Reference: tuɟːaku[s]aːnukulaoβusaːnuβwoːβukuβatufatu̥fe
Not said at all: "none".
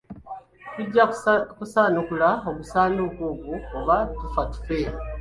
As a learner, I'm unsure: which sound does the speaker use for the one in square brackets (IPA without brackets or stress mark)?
s